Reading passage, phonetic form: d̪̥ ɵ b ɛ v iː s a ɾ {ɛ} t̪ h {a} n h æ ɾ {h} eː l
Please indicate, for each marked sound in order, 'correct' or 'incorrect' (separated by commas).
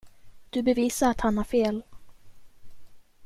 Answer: incorrect, correct, incorrect